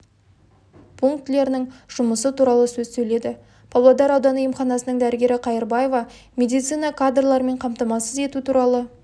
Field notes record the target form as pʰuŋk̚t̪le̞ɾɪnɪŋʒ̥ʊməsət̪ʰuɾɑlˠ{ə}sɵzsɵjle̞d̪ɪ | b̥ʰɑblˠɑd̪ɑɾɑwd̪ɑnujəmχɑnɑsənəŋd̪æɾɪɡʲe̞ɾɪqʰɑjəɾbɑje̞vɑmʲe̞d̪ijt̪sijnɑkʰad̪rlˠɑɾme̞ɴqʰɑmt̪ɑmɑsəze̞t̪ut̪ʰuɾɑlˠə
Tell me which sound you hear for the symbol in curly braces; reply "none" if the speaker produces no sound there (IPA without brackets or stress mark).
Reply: ə